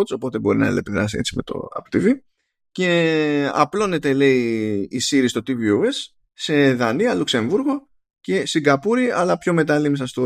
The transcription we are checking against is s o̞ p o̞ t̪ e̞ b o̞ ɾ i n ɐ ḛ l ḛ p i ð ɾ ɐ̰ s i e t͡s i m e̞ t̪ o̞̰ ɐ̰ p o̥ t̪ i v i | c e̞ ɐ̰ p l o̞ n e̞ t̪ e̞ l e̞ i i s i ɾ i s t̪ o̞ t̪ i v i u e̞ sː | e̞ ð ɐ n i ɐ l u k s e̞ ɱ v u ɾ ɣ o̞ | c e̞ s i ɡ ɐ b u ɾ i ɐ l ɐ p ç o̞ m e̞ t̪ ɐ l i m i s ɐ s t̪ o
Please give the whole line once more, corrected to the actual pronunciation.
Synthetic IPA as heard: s o̞ p o̞ t̪ e̞ b o̞ ɾ i n ɐ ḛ l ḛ p i ð ɾ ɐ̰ s i e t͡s i m e̞ t̪ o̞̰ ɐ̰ p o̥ t̪ i v i | c e̞ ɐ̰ p l o̞ n e̞ t̪ e̞ l e̞ i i s i ɾ i s t̪ o̞ t̪ i v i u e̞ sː | e̞ ð ɐ n i ɐ l u k s e̞ ɱ v u ɾ ɣ o̞ | c e̞ s i ɡ ɐ p u ɾ i ɐ l ɐ p ç o̞ m e̞ t̪ ɐ l i m i s ɐ s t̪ o